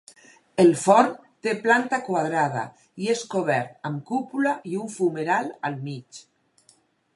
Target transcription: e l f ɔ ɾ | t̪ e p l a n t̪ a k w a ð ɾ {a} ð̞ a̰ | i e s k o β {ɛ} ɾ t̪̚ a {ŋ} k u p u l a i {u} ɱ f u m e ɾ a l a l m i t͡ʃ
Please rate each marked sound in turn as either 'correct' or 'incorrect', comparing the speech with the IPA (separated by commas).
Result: correct, correct, incorrect, correct